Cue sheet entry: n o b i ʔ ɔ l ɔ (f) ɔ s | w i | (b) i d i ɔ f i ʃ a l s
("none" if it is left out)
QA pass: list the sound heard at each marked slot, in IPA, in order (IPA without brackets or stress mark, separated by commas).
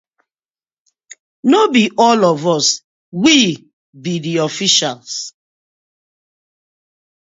v, b